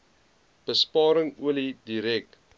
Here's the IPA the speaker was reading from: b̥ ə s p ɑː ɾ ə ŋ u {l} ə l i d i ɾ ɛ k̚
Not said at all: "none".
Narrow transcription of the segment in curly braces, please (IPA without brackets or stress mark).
none